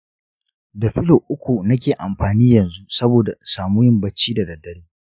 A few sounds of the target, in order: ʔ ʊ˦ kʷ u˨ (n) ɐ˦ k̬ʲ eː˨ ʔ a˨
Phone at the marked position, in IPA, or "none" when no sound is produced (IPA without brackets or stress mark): n